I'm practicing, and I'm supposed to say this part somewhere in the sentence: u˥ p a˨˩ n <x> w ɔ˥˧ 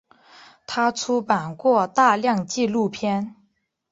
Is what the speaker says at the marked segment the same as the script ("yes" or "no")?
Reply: no